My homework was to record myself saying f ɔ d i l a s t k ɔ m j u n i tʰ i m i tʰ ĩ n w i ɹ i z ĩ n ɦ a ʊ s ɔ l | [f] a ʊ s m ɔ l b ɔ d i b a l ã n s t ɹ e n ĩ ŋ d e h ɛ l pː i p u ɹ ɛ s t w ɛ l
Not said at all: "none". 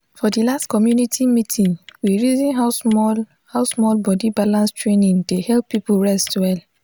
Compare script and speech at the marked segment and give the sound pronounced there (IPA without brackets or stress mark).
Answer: h